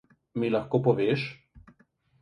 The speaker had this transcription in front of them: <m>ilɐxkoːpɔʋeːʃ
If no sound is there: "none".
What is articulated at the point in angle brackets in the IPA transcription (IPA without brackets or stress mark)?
m